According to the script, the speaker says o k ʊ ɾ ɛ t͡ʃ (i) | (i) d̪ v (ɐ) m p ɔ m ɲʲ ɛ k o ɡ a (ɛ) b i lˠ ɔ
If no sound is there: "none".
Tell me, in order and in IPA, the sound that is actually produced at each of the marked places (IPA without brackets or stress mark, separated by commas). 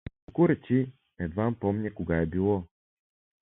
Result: i, ɛ, a, ɛ